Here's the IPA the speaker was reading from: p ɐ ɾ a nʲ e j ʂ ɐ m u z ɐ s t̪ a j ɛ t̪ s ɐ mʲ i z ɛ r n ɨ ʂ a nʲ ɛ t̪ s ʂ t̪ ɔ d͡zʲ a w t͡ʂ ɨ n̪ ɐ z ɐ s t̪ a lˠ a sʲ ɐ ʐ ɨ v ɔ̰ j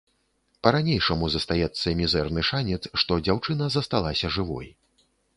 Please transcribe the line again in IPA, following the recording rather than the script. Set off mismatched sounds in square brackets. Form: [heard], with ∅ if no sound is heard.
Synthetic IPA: p ɐ ɾ a nʲ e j ʂ ɐ m u z ɐ s t̪ a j ɛ t̪ [sː] ɐ mʲ i z ɛ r n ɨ ʂ a nʲ ɛ t̪ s ʂ t̪ ɔ d͡zʲ a w t͡ʂ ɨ n̪ ɐ z ɐ s t̪ a lˠ a sʲ ɐ ʐ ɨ v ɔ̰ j